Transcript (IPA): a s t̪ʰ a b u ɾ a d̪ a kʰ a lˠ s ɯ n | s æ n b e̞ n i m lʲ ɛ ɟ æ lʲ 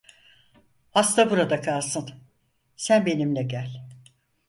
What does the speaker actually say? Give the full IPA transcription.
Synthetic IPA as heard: a s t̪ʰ a b u ɾ a d̪ a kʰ a lˠ s ɯ n | s æ n b e̞ n i m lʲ ɛ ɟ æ lʲ